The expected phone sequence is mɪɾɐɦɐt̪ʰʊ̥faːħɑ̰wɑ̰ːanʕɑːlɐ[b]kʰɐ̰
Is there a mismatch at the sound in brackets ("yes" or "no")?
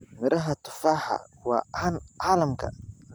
yes